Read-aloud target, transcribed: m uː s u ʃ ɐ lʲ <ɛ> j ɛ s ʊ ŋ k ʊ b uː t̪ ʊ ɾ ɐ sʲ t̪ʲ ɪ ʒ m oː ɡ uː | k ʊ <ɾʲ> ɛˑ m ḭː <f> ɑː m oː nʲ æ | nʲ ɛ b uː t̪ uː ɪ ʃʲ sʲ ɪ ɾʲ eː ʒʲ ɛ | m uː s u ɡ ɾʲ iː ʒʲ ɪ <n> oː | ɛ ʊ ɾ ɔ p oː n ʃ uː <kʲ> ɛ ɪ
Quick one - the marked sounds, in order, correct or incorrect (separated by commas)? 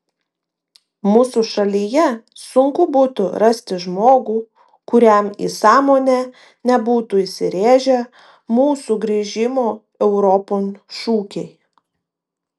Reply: incorrect, correct, incorrect, incorrect, correct